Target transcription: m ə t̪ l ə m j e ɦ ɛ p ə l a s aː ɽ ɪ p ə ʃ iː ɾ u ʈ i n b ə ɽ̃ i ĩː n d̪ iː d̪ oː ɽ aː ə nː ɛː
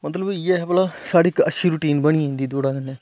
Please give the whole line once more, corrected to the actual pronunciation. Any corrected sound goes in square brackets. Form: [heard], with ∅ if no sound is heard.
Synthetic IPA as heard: m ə t̪ l ə [b] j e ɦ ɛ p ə l a s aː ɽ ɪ [k] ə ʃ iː ɾ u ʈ [iː] n b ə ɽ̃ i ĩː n d̪ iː d̪ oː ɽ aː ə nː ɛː